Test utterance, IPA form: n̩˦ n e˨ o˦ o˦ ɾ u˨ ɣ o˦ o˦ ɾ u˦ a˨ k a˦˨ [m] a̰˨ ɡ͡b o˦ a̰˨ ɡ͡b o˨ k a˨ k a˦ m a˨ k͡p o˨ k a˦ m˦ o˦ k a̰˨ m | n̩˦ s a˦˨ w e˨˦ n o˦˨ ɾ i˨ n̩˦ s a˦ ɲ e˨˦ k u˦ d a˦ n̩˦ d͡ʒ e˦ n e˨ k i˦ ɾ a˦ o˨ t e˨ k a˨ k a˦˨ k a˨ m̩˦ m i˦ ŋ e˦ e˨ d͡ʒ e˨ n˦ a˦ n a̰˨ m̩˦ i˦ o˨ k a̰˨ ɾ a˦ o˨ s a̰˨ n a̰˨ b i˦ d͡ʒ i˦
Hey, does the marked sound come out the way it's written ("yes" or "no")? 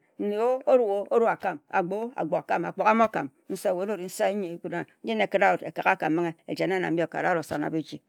yes